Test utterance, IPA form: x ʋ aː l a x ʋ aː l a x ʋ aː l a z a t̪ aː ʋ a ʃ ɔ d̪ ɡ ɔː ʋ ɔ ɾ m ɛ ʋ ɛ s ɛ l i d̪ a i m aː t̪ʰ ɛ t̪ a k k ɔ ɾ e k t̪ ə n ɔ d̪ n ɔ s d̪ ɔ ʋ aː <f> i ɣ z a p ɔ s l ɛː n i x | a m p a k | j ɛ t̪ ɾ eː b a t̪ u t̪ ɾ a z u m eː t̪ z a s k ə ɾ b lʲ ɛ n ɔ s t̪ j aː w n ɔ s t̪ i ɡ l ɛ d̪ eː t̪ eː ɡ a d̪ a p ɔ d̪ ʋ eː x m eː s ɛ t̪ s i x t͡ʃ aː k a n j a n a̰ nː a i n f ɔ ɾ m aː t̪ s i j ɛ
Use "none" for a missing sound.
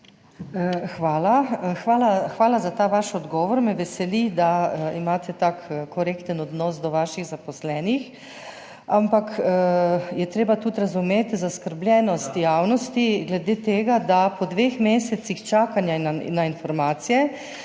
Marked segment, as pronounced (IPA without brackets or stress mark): ʃ